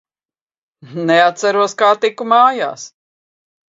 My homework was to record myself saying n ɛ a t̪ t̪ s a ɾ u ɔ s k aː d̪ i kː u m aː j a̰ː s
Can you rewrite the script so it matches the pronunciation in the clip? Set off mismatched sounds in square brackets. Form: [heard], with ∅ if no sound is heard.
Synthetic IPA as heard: n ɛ a t̪ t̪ s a ɾ u ɔ s k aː [t̪] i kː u m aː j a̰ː s